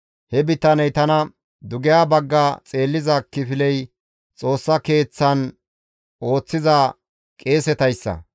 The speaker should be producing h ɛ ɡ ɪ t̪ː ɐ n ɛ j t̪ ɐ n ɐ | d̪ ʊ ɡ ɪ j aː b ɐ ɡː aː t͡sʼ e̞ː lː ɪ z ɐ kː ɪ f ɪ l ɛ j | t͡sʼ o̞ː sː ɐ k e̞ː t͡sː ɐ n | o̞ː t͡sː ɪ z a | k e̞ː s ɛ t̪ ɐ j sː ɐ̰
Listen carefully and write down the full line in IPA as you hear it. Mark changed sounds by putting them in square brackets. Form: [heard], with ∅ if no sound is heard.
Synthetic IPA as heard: h ɛ [b] ɪ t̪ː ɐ n ɛ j t̪ ɐ n ɐ | d̪ ʊ ɡ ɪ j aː b ɐ ɡː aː t͡sʼ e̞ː lː ɪ z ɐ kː ɪ f ɪ l ɛ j | t͡sʼ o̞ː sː ɐ k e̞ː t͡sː ɐ n | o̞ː t͡sː ɪ z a | [kʼ] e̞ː s ɛ t̪ ɐ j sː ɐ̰